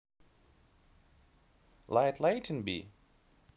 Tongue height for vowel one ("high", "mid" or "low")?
low